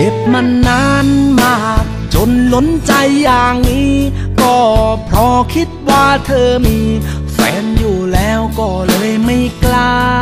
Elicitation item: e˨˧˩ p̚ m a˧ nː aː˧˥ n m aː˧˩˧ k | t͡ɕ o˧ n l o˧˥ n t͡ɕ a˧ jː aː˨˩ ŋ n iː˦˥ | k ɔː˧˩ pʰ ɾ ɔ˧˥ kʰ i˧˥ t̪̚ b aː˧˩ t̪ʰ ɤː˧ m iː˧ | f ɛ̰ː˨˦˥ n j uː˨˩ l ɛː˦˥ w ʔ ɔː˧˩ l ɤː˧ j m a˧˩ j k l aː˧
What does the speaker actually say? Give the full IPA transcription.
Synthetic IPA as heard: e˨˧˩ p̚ m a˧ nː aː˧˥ n m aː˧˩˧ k | t͡ɕ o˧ n l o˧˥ n t͡ɕ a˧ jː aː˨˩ ŋ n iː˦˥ | k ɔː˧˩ pʰ ɾ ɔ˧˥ kʰ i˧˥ t̪̚ w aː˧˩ t̪ʰ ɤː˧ m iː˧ | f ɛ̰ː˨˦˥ n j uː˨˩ l ɛː˦˥ w k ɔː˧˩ l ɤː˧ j m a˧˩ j k l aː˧

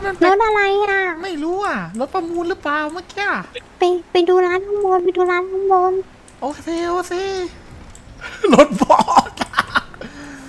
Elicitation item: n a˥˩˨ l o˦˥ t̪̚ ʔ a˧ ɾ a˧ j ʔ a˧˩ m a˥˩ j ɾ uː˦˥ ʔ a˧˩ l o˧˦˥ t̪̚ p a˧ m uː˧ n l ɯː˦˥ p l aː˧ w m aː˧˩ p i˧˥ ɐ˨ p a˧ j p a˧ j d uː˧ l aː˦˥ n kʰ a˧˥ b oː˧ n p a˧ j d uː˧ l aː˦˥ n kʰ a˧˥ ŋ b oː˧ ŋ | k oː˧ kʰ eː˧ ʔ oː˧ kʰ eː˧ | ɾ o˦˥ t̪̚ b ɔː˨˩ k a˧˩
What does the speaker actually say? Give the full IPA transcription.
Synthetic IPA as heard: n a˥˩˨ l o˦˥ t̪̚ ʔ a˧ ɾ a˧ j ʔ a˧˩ m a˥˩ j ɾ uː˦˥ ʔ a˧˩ l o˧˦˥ t̪̚ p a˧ m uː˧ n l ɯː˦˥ p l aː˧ w m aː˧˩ k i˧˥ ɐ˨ p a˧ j p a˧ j d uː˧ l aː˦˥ n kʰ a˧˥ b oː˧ n p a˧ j d uː˧ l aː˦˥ n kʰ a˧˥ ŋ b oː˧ n | ʔ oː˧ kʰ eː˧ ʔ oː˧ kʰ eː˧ | l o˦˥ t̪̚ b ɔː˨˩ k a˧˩

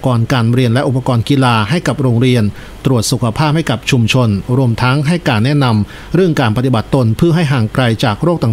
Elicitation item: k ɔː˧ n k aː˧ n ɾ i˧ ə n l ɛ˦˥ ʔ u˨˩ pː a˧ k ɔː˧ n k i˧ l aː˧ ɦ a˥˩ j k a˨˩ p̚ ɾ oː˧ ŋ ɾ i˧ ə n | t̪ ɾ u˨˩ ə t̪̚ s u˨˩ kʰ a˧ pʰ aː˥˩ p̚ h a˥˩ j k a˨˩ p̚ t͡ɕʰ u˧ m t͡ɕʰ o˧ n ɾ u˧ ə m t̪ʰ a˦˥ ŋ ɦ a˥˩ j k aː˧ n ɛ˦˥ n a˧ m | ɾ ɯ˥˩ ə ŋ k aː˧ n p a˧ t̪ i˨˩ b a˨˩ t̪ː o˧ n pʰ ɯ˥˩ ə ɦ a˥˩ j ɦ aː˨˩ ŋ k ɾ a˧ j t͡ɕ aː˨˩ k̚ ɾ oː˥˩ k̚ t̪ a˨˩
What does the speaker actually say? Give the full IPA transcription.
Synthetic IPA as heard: k ɔː˧ n k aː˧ n ɾ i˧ ə n l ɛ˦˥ ʔ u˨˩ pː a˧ k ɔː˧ n k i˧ l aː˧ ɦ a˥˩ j k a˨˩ p̚ ɾ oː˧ ŋ ɾ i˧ ə n | t̪ ɾ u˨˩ ə t̪̚ s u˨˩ kʰ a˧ pʰ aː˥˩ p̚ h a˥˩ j k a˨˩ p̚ t͡ɕʰ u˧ m t͡ɕʰ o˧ n ɾ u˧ ə m t̪ʰ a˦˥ ŋ ɦ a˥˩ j k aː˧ nː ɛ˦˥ n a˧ m | ɾ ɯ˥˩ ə ŋ k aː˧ n p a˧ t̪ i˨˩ b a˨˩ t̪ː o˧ n pʰ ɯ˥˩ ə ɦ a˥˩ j ɦ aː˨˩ ŋ k ɾ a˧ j t͡ɕ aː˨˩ k̚ ɾ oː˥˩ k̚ t̪ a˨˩

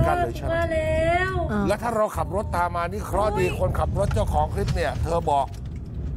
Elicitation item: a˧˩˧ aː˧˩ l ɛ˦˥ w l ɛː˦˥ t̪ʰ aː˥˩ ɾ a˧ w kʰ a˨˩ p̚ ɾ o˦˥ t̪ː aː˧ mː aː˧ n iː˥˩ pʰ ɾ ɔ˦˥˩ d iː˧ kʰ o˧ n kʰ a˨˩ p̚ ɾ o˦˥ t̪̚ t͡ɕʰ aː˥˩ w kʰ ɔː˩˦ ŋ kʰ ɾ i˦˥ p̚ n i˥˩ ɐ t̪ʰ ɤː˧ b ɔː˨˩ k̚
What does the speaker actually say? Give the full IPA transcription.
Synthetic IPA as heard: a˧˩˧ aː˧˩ l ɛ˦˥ w l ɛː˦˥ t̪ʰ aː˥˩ ɾ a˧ w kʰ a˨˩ p̚ ɾ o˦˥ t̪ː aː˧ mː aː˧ n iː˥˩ kʰ ɾ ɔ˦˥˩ d iː˧ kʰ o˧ n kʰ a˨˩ p̚ ɾ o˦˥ t̪̚ t͡ɕ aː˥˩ w kʰ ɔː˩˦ ŋ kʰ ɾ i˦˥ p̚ n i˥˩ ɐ t̪ʰ ɤː˧ b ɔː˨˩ k̚

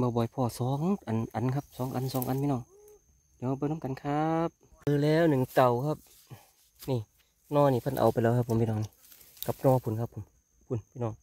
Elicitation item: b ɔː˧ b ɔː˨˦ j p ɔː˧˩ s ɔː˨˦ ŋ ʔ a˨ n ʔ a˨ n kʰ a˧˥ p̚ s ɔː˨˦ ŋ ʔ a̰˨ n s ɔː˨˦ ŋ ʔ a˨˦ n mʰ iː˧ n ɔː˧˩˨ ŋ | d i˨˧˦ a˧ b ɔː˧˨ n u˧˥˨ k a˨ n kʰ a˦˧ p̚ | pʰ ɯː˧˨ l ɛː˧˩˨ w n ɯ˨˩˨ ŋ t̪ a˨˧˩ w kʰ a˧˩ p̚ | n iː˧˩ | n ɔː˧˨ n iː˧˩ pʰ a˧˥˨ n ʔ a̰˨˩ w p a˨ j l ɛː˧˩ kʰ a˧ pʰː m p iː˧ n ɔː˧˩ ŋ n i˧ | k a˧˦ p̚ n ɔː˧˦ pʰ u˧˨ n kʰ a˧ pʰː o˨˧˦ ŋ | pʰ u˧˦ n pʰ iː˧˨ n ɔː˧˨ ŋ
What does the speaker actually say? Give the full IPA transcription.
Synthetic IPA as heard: b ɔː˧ b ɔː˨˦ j pʰ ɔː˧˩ s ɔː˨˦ ŋ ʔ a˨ n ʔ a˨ n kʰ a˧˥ p̚ s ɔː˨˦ ŋ ʔ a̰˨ n s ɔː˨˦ ŋ ʔ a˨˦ n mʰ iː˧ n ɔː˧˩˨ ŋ | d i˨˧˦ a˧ b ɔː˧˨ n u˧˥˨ k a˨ n kʰ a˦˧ p̚ | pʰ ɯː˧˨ l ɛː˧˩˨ w n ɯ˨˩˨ ŋ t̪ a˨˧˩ w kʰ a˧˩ p̚ | n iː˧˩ | n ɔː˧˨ n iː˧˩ pʰ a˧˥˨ n ʔ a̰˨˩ w p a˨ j l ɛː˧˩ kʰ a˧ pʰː m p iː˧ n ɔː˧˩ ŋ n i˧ | k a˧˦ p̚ n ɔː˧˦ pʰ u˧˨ n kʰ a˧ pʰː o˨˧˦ m | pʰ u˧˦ n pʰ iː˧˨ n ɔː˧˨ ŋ

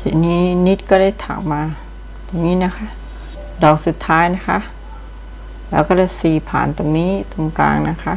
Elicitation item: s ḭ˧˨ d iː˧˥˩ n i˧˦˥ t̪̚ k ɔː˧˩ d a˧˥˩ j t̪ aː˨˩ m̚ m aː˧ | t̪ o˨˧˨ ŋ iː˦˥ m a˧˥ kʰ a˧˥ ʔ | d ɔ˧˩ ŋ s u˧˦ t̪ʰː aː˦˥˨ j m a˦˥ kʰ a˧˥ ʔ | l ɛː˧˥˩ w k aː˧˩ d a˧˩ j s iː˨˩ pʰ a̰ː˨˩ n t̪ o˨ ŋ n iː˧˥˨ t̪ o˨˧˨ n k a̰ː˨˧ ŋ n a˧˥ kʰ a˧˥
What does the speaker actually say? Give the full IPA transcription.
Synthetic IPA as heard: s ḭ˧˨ n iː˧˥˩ n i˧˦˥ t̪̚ k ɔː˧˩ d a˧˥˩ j t̪ʰ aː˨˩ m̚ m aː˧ | t̪ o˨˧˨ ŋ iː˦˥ n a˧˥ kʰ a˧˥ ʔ | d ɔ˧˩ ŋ s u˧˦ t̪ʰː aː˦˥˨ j n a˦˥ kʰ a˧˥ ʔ | l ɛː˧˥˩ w k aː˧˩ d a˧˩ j s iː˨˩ pʰ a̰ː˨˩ n t̪ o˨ ŋ n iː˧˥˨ t̪ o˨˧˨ ŋ k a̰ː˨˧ ŋ n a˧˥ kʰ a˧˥

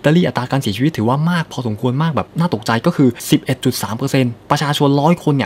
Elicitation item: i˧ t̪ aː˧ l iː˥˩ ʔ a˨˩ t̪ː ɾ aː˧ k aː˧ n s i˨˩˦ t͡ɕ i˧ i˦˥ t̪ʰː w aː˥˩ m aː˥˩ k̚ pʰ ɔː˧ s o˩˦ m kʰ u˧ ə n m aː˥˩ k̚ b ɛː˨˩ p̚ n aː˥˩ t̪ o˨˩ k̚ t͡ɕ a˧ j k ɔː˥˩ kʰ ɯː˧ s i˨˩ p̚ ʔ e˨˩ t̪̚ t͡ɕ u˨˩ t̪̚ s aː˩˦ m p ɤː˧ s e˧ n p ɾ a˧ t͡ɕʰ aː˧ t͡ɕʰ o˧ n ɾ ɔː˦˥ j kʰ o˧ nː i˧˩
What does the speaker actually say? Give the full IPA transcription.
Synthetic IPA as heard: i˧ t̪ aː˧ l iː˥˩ ʔ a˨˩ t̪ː ɾ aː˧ k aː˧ n s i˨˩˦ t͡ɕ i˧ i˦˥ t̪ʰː w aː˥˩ m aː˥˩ k̚ pʰ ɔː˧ s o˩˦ m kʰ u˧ ə n m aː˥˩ k̚ b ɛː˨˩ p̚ n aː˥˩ t̪ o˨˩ k̚ t͡ɕ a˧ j k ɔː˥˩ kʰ ɯː˧ s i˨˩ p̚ ʔ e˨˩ t̪̚ t͡ɕ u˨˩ t̪̚ s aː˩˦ m p ɤː˧ s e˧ n p ɾ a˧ t͡ɕʰ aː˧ t͡ɕʰ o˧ n ɾ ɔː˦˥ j kʰ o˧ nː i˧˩

